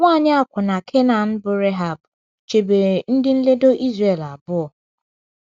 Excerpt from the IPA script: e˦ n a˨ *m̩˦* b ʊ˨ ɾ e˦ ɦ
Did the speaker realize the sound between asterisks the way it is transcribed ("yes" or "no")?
no